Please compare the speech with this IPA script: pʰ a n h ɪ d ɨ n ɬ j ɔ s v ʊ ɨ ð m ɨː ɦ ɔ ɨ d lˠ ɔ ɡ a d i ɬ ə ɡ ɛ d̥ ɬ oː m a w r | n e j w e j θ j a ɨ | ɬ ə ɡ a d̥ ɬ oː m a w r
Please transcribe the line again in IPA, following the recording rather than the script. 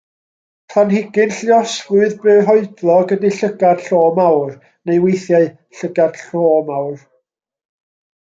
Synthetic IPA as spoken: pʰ a n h ɪ ɡ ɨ n ɬ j ɔ s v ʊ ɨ ð b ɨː ɦ ɔ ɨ d lˠ ɔ ɡ ə d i ɬ ə ɡ a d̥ ɬ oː m a w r | n e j w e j θ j a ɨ | ɬ ə ɡ a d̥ ɬ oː m a w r

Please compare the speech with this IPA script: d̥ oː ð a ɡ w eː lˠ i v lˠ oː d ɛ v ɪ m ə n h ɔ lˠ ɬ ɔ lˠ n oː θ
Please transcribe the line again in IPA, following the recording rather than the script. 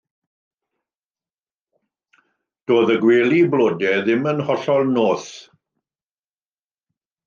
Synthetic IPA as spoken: d̥ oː ð ə ɡ w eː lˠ i b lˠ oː d ɛ ð ɪ m ə n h ɔ ɬ ɔ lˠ n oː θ

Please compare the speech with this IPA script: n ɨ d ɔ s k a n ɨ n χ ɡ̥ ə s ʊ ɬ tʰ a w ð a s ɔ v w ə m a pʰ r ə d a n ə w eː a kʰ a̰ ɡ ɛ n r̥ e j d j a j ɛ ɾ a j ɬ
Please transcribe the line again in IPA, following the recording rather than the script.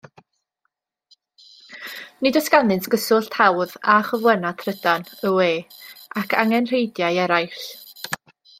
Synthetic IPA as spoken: n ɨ d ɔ s k a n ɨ n s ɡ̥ ə s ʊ ɬ tʰ a w ð a χ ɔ v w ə n a tʰ r ə d a n ə w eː a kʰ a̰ ŋ ɛ n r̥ e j d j a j ɛ ɾ a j ɬ

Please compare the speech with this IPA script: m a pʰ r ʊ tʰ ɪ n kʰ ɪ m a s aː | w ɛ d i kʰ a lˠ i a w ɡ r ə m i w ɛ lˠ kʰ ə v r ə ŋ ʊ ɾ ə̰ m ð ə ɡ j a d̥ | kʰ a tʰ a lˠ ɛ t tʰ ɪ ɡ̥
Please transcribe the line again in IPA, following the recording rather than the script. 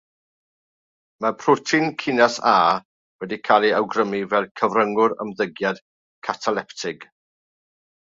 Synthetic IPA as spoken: m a pʰ r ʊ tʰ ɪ n kʰ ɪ n a s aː | w ɛ d i kʰ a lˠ i a w ɡ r ə m i v ɛ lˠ kʰ ə v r ə ŋ ʊ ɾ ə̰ m ð ə ɡ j a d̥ | kʰ a tʰ a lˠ ɛ p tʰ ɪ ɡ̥

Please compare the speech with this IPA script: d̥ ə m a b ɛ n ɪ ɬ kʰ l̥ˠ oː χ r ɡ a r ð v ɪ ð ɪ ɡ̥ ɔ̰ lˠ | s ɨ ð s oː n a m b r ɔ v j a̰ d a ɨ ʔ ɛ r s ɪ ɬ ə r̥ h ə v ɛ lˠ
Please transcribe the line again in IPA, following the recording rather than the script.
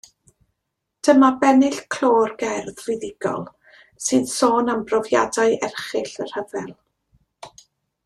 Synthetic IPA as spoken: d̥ ə m a b ɛ n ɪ ɬ kʰ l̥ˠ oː r ɡ ɛ r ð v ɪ ð ɪ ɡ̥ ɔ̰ lˠ | s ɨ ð s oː n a m b r ɔ v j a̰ d a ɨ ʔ ɛ r χ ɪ ɬ ə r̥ h ə v ɛ lˠ

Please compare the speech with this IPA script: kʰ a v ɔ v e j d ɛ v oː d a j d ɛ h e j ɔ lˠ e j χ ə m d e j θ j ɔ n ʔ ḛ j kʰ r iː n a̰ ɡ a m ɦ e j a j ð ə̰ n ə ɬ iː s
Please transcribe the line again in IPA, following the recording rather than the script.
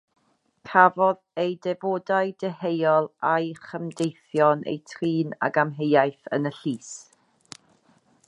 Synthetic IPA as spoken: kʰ a v ɔ ð e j d ɛ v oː d a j d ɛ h e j ɔ lˠ a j χ ə m d e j θ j ɔ n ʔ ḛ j tʰ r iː n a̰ ɡ a m ɦ e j a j θ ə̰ n ə ɬ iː s

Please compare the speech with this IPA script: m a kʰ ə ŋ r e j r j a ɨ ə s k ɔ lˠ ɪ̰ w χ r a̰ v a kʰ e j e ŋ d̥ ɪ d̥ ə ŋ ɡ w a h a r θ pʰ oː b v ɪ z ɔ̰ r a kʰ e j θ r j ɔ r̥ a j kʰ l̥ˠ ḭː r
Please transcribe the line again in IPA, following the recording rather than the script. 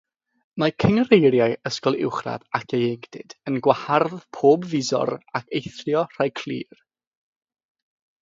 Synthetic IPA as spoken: m a kʰ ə ŋ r e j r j a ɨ ə s k ɔ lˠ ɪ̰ w χ r a̰ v a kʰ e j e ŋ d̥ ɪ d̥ ə n ɡ w a h a r ð pʰ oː b v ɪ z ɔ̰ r a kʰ e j θ r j ɔ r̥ a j kʰ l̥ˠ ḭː r

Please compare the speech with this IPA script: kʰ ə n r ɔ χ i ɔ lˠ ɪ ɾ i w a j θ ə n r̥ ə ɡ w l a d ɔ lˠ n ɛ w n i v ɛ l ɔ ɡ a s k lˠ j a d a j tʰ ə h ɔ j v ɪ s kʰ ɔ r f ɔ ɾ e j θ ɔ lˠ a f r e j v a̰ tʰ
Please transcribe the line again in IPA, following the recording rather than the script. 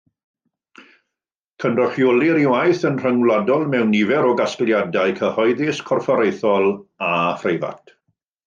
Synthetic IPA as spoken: kʰ ə n r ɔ χ j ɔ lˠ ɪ ɾ i w a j θ ə n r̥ ə ŋ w l a d ɔ lˠ m ɛ w n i v ɛ ɾ ɔ ɡ a s k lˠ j a d a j kʰ ə h ɔ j ð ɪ s kʰ ɔ r f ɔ ɾ e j θ ɔ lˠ a f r e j v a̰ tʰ

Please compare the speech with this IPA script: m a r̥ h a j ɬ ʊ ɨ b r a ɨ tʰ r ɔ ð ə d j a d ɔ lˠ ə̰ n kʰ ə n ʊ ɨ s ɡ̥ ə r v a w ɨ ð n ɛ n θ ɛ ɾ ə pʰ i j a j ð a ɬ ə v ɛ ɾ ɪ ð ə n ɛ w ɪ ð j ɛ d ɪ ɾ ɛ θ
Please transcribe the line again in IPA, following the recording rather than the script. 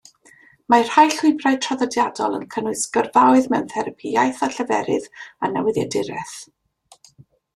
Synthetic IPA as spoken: m a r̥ h a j ɬ ʊ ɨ b r a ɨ tʰ r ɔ ð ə d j a d ɔ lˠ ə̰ n kʰ ə n ʊ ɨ s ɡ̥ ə r v a w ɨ ð m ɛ n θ ɛ ɾ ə pʰ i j a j θ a ɬ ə v ɛ ɾ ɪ ð a n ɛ w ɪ ð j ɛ d ɪ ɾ ɛ θ

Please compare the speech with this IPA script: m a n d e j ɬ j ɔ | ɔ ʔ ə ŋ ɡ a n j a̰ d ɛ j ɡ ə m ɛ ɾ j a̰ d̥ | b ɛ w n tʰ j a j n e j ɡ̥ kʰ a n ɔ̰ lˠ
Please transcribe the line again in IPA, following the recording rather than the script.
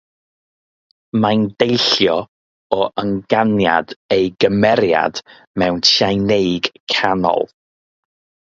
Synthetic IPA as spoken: m a n d e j ɬ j ɔ | ɔ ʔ ə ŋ ɡ a n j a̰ d e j ɡ ə m ɛ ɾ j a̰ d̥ | m ɛ w n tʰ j a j n e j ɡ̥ kʰ a n ɔ̰ lˠ

